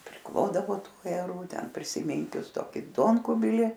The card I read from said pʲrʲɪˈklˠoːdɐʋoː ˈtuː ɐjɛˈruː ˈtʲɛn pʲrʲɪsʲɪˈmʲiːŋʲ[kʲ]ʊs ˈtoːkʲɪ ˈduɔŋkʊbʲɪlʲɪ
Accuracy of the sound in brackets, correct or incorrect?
correct